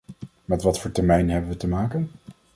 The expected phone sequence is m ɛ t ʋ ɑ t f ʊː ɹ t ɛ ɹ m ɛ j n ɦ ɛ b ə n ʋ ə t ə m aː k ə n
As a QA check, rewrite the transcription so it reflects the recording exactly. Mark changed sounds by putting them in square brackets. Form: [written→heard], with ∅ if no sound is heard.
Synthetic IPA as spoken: m ɛ t ʋ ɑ t f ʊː ɹ t ɛ ɹ m ɛ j n ɦ ɛ b ə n ʋ ə t ə m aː k ə n